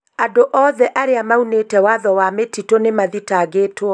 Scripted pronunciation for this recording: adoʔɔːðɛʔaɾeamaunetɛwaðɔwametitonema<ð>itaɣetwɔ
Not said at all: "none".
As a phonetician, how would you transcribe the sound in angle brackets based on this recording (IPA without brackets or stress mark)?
ð